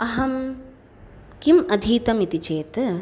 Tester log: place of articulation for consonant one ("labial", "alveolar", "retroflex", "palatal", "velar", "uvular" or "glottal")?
glottal